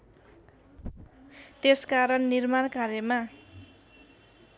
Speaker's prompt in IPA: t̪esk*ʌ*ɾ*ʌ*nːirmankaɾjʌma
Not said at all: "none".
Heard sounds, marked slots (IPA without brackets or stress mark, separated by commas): a, ʌ